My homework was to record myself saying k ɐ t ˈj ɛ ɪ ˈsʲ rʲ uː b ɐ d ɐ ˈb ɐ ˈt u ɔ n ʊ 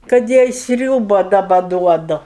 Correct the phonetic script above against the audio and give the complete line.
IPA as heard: k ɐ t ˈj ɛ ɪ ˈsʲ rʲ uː b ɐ d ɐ ˈb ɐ ˈd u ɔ d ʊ